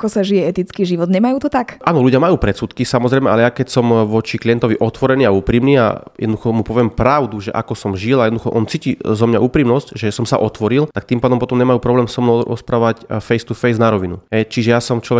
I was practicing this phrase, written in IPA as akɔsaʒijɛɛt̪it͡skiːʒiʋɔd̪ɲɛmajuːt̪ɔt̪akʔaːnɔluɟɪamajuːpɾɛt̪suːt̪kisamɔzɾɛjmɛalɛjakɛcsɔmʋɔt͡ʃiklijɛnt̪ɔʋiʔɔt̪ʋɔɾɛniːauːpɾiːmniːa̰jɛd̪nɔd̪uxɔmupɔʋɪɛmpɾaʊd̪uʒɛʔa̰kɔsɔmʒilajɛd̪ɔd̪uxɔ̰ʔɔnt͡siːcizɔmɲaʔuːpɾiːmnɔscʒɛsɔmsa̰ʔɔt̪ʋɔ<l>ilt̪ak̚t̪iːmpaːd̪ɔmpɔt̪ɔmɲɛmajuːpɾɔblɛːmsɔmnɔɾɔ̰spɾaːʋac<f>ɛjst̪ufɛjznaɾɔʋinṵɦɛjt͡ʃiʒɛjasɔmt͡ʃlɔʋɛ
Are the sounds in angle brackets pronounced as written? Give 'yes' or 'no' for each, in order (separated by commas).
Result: no, yes